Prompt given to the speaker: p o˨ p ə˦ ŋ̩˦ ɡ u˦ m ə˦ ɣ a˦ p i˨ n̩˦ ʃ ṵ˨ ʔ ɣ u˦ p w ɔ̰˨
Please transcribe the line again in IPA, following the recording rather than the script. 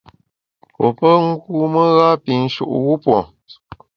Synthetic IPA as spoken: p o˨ p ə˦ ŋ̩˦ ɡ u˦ m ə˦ ɣ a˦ p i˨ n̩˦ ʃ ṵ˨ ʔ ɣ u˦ p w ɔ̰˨